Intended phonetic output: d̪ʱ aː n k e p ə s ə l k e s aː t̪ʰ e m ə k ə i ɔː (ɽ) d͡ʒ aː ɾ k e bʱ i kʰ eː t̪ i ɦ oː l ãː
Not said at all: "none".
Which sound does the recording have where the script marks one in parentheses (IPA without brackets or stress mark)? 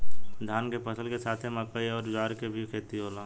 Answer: ɾ